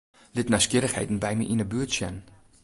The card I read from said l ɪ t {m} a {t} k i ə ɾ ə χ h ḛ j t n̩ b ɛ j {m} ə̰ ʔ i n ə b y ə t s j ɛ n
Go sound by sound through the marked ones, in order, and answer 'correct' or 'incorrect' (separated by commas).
incorrect, incorrect, correct